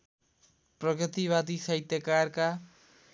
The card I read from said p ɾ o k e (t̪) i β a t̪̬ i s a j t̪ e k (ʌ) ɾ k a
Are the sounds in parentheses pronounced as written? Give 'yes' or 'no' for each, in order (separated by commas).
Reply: yes, no